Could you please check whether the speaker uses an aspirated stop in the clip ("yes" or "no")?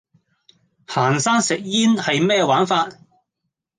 no